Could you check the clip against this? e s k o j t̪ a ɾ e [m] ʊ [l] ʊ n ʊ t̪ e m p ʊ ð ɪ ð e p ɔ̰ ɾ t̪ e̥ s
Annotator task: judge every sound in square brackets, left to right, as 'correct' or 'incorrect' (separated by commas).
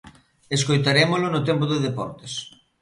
correct, correct